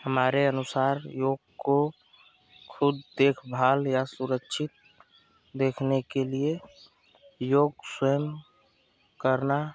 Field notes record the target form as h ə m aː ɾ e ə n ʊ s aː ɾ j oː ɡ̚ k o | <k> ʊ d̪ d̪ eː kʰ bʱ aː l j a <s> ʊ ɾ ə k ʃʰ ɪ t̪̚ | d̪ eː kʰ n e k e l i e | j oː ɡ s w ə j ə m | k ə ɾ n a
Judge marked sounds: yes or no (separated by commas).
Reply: no, yes